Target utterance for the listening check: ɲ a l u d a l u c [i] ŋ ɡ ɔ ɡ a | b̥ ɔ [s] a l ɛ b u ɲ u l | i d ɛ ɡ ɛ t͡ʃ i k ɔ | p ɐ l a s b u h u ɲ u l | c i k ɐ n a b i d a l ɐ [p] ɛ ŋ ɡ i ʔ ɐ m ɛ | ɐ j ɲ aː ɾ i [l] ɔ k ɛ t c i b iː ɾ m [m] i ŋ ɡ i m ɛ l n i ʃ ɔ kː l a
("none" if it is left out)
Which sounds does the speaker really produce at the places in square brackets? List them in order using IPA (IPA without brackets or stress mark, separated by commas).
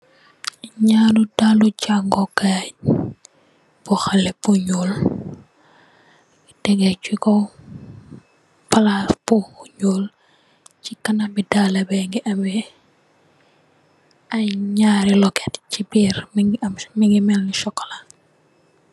a, x, b, l, m